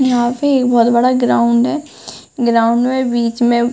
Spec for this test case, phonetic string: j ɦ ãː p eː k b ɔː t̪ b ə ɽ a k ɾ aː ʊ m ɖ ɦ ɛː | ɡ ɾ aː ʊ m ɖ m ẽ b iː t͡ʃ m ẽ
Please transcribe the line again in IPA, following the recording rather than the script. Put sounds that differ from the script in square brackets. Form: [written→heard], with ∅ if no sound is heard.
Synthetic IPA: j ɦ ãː p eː k b ɔː t̪ b ə ɽ a [k→ɡ] ɾ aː ʊ [m→ɳ] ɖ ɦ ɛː | ɡ ɾ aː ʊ [m→ɳ] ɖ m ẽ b iː t͡ʃ m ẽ